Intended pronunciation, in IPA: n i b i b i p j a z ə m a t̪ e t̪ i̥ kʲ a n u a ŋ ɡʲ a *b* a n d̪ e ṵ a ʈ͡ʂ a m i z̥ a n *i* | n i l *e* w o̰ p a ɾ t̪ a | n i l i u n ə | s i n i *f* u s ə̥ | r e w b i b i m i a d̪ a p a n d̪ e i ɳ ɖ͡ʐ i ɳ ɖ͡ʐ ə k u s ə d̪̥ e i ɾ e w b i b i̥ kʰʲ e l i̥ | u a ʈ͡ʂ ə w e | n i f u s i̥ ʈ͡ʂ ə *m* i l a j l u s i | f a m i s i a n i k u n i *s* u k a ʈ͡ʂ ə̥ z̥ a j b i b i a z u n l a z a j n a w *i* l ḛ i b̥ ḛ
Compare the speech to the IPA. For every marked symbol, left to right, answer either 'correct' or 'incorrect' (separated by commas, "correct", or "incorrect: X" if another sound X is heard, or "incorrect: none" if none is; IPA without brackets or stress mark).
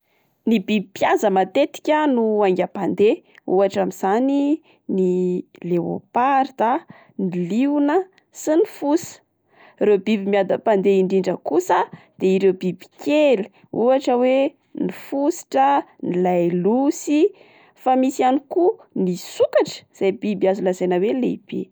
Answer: incorrect: p, correct, correct, correct, incorrect: n, correct, incorrect: e